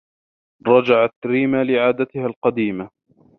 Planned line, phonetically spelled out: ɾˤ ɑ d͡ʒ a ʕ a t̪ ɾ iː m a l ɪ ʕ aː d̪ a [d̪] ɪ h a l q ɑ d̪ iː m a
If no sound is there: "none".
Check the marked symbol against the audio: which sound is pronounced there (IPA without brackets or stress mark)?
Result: t̪